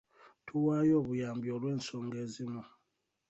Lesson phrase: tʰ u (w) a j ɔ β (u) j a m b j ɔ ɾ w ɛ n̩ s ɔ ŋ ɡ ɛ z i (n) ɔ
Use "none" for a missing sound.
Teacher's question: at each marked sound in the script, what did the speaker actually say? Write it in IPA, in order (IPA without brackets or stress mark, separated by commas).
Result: w, u, m